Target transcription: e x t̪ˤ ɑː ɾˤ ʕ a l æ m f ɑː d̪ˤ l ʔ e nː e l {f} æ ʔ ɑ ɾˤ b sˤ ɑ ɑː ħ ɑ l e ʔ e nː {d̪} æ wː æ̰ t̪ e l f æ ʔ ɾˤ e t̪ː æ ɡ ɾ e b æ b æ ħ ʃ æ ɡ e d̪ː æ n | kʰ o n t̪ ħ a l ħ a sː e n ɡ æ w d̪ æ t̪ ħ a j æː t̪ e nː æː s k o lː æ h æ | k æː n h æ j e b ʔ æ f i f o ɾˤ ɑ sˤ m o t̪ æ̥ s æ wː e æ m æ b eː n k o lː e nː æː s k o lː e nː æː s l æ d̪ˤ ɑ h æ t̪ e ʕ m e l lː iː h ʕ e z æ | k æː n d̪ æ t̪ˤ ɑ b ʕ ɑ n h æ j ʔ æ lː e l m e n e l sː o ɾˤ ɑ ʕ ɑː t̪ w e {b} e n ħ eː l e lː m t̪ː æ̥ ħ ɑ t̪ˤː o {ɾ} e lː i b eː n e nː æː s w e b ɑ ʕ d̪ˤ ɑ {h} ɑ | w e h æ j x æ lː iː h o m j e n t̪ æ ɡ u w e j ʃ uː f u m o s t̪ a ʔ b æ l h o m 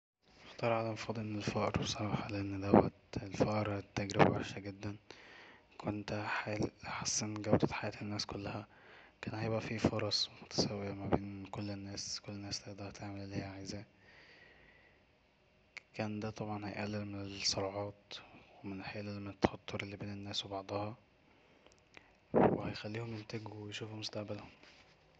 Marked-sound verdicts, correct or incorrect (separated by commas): correct, correct, incorrect, correct, correct